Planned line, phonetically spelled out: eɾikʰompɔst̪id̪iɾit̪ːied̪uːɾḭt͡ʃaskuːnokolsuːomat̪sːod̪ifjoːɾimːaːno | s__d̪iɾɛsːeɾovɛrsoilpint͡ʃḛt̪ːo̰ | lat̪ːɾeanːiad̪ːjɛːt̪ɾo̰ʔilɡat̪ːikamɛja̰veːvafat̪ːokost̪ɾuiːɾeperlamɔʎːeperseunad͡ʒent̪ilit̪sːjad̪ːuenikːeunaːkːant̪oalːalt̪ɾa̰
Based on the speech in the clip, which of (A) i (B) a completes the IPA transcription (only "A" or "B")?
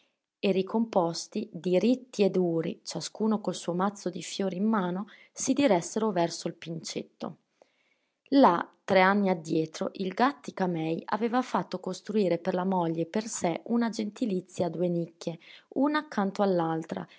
A